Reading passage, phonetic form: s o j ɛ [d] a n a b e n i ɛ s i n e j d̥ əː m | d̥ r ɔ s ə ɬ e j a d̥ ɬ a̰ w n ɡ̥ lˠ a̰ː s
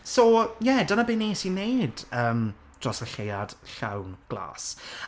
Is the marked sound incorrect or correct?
correct